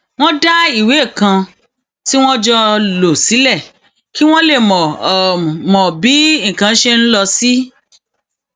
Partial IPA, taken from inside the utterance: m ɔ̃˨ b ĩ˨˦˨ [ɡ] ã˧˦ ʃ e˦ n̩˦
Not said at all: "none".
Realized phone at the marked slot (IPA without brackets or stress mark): k